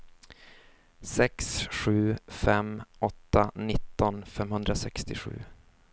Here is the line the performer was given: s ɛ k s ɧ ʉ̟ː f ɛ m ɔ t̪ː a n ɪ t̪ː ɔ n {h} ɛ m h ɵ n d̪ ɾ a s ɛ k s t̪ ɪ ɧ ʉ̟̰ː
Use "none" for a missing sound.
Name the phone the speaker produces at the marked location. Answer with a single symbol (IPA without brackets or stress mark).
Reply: f